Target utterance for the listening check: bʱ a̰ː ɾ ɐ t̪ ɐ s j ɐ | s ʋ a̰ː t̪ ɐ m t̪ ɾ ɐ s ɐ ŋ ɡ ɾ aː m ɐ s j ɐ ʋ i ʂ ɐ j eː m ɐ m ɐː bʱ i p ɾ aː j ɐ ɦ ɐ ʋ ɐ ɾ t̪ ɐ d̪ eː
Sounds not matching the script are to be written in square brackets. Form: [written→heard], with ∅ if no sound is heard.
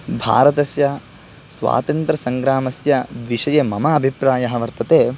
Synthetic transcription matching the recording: bʱ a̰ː ɾ ɐ t̪ ɐ s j ɐ | s ʋ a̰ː t̪ ɐ [m→n] t̪ ɾ ɐ s ɐ ŋ ɡ ɾ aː m ɐ s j ɐ ʋ i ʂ ɐ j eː m ɐ m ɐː bʱ i p ɾ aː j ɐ ɦ ɐ ʋ ɐ ɾ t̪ ɐ [d̪→t̪] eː